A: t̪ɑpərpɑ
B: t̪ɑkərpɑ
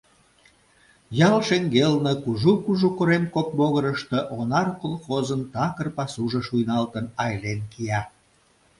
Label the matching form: B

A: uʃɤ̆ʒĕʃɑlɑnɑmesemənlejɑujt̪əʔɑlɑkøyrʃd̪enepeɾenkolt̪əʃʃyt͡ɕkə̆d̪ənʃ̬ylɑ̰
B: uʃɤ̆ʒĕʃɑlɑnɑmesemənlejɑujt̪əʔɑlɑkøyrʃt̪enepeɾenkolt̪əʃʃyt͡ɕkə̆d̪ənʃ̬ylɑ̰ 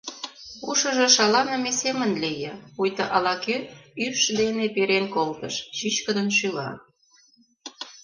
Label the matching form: A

